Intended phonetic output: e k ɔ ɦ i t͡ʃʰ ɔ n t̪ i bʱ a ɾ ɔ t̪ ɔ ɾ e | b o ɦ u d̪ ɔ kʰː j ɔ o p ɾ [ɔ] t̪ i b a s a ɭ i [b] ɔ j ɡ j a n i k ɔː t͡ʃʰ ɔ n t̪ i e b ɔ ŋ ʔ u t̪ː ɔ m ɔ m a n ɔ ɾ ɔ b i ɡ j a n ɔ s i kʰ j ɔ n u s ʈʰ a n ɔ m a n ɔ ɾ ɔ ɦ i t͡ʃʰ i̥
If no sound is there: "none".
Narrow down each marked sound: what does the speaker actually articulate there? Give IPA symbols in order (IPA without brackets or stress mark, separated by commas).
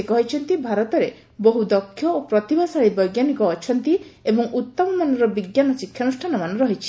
ɔ, b